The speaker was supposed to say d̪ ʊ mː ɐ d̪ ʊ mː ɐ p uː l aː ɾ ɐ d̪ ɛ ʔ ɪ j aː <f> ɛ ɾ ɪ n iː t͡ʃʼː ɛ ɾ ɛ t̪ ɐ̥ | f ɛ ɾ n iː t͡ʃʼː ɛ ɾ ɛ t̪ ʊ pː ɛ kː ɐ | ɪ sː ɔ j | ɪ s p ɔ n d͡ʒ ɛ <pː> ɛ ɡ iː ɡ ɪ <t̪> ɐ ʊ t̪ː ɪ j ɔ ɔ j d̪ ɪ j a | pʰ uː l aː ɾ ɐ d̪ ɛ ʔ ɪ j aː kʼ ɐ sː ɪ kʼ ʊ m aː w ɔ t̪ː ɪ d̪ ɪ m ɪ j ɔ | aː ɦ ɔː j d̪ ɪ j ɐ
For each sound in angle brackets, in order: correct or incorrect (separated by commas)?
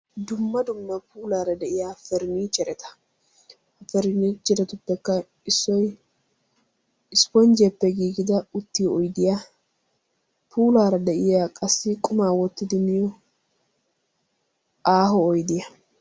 correct, correct, incorrect